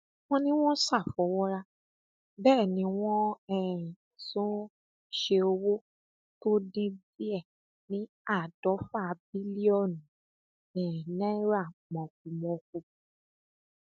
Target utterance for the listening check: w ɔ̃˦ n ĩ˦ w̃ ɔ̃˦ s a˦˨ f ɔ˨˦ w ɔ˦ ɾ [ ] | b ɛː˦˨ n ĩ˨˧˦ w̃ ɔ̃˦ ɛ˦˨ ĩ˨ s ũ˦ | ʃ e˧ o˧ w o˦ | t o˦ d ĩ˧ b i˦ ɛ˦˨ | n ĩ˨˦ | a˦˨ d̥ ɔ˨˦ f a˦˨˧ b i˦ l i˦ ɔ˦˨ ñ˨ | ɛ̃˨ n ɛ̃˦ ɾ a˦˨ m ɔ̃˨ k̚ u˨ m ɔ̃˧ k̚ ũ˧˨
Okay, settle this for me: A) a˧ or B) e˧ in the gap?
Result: A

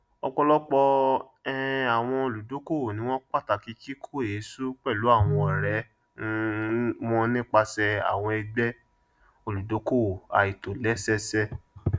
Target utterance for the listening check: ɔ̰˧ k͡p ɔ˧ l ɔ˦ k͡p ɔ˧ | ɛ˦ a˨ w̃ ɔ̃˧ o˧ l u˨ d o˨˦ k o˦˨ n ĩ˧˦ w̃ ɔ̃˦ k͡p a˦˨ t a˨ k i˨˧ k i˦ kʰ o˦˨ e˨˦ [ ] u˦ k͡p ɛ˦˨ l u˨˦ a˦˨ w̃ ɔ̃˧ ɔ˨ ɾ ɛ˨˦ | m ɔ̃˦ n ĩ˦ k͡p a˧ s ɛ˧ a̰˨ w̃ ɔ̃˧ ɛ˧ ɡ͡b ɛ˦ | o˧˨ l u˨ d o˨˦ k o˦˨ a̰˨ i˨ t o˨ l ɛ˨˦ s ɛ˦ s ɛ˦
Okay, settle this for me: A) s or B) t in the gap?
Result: A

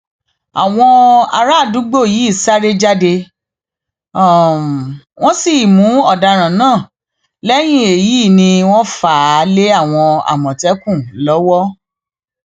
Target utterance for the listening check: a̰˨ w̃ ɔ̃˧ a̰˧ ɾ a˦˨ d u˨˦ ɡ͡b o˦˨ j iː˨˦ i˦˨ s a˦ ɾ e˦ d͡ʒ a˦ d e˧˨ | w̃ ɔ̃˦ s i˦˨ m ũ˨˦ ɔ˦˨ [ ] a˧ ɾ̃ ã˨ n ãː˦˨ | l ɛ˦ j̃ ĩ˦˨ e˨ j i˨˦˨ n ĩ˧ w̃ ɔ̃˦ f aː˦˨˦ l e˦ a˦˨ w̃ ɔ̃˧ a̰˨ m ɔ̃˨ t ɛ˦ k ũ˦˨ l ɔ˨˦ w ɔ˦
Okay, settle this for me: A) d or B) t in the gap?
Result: A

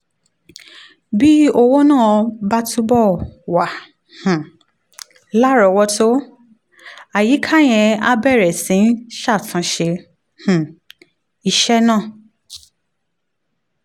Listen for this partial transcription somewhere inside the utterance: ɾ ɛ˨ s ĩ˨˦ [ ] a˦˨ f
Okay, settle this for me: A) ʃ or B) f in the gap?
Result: A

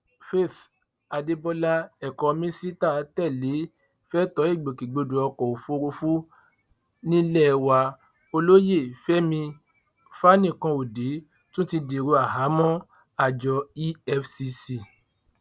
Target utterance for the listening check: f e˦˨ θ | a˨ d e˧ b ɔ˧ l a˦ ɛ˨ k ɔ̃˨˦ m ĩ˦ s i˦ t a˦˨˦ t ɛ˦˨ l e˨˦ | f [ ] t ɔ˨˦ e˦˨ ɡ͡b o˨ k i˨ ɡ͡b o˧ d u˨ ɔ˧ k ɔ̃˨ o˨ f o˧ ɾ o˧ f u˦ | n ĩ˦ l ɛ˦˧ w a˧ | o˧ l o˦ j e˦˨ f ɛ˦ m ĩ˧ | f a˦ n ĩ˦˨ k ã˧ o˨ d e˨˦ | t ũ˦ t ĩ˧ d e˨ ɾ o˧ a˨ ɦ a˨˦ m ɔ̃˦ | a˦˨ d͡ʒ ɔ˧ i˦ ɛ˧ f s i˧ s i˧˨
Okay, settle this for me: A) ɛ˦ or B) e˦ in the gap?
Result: A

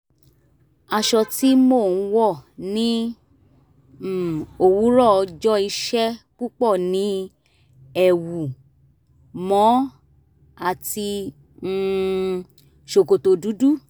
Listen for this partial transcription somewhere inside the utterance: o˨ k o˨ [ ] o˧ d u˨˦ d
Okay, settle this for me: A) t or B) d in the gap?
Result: A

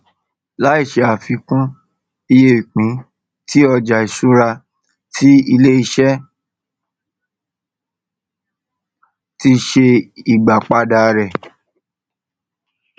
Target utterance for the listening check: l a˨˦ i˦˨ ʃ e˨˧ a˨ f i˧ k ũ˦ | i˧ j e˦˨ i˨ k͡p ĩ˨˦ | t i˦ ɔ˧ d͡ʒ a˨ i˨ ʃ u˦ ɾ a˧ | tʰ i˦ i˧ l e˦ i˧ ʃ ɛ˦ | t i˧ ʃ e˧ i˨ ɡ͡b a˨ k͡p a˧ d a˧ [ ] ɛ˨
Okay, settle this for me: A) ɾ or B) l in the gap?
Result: A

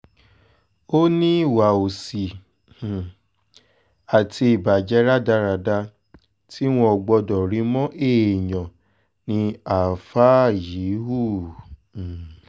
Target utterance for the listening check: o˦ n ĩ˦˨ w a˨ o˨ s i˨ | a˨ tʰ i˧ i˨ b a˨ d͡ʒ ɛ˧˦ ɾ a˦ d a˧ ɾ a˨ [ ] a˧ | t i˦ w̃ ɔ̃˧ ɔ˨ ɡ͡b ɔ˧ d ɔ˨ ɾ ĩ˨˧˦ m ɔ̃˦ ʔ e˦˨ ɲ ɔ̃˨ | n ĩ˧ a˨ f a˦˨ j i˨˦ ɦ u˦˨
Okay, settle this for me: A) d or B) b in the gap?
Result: A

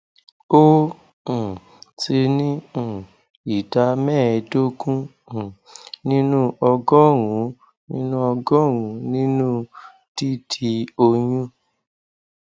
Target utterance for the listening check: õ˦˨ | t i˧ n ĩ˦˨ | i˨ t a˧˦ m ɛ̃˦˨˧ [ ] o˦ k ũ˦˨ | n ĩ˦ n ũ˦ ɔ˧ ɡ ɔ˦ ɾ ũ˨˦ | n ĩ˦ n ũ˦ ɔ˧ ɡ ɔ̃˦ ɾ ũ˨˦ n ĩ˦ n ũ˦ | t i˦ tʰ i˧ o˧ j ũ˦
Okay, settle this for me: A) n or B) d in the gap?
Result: B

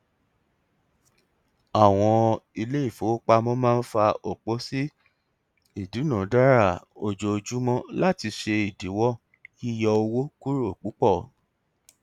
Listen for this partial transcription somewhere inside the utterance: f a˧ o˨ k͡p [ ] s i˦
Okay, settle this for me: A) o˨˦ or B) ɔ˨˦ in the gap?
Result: A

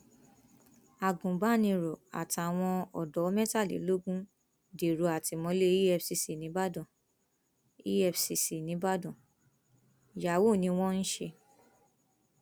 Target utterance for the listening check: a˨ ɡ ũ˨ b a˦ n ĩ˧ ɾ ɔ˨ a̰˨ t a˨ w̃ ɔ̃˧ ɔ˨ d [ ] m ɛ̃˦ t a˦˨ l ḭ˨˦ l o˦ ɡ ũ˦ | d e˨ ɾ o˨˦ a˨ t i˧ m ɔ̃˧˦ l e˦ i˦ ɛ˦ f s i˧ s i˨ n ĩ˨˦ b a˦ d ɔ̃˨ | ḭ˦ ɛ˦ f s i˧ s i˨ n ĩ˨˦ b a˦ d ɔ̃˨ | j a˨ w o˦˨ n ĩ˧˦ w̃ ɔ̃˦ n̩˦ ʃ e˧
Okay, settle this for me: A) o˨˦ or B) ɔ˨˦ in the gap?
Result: B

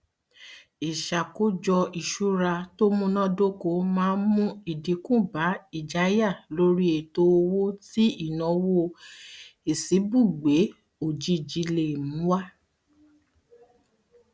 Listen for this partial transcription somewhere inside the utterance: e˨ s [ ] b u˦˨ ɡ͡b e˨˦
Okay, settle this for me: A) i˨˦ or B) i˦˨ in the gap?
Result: A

